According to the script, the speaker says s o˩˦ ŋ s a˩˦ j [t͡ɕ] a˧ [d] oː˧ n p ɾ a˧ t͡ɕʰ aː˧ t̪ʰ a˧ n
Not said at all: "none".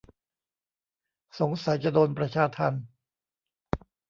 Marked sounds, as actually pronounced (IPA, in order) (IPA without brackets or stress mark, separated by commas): t͡ɕ, d